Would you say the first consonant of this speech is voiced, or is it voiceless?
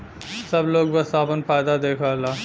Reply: voiceless